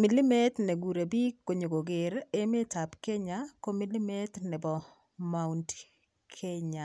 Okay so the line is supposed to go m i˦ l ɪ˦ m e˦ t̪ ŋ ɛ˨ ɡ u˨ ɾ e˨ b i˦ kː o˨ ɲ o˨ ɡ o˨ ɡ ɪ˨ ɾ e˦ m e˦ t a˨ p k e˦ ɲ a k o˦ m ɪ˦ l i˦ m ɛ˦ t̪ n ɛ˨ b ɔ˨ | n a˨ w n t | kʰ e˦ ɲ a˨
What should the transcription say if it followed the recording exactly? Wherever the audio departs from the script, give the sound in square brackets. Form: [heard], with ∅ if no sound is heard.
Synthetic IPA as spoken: m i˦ l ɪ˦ m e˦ t̪ [n] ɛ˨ ɡ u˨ ɾ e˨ b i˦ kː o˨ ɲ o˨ ɡ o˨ ɡ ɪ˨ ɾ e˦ m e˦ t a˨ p k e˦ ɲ a k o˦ m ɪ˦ l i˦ m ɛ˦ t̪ n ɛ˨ b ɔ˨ | [m] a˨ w n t | kʰ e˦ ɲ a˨